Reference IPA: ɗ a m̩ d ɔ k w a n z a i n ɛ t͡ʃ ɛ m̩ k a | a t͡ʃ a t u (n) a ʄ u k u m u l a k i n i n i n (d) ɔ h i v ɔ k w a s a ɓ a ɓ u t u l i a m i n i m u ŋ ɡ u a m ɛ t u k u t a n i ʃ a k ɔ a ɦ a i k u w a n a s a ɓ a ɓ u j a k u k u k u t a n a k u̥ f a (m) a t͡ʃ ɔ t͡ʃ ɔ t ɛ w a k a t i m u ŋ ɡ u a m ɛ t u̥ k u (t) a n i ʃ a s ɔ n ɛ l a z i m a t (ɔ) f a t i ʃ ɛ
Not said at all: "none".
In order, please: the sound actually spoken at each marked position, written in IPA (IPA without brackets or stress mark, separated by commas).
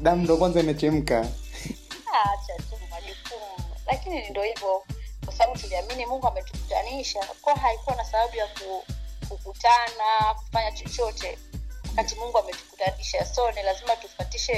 m, d, ɲ, t, u